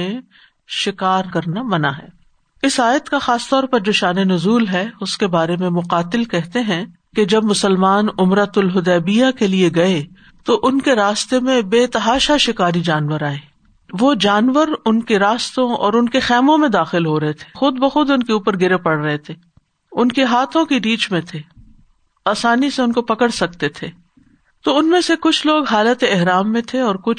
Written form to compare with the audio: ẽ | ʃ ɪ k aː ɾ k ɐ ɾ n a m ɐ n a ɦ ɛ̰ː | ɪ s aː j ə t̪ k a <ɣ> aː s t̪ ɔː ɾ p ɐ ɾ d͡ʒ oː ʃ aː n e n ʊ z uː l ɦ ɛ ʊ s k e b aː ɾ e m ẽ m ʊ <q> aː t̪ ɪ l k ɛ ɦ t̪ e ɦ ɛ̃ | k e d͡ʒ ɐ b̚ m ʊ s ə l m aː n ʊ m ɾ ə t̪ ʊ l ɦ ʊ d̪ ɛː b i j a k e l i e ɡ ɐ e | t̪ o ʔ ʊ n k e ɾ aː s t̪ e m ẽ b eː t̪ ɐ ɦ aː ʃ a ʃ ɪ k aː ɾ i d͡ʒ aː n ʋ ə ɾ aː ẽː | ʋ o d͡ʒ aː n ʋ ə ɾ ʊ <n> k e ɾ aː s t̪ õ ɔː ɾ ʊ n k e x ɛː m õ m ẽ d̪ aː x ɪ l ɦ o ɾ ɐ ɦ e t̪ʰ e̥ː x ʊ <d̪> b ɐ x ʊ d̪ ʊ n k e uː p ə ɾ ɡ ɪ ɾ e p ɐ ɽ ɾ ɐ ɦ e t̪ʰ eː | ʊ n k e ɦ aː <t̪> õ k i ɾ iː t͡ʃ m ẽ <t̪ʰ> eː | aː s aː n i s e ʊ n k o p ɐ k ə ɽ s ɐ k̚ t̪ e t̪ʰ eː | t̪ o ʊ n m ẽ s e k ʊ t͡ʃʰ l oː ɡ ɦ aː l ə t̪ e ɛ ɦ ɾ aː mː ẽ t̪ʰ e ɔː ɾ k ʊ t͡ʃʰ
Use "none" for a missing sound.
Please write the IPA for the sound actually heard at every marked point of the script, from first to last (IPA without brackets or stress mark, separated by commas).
x, q, n, d̪, t̪ʰ, t̪ʰ